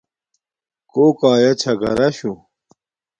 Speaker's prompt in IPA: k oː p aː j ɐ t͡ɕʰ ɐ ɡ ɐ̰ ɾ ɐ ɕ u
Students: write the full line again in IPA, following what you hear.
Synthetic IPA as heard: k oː k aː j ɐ t͡ɕʰ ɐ ɡ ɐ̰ ɾ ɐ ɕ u